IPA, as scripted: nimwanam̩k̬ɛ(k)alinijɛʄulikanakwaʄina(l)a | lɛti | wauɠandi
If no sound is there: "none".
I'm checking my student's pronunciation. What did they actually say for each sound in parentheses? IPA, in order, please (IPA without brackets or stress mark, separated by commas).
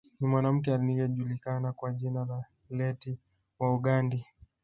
none, l